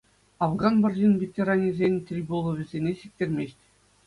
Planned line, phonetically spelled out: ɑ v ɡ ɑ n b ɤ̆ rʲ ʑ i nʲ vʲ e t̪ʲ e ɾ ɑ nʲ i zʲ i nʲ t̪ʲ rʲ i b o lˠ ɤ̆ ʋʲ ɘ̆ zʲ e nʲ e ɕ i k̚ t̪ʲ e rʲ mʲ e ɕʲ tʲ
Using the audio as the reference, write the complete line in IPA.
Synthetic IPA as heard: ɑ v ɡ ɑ n b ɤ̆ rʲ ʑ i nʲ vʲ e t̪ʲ e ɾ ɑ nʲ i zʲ e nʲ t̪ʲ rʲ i b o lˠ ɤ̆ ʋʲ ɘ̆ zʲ e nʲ e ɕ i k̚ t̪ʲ e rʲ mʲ e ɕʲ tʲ